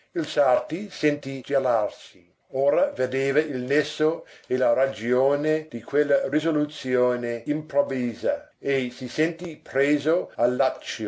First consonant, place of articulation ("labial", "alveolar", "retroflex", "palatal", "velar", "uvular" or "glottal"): alveolar